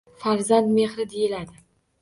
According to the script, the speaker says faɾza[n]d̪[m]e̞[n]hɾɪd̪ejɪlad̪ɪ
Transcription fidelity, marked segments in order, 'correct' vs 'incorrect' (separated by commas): correct, correct, incorrect